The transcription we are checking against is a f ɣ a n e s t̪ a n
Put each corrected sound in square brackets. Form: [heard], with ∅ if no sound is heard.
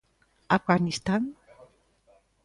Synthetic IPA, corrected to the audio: a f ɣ a n [i] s t̪ a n